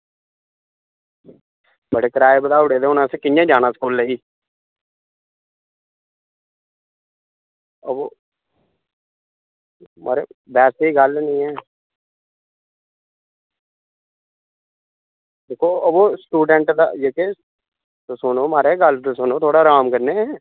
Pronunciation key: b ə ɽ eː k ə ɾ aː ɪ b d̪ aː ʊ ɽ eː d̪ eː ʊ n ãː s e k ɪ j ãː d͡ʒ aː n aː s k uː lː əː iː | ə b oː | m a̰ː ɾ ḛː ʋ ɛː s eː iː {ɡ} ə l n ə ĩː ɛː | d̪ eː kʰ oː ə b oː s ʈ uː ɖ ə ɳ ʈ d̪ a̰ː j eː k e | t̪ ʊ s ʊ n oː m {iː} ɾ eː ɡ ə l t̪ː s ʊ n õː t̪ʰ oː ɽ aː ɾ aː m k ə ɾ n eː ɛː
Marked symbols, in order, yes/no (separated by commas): yes, no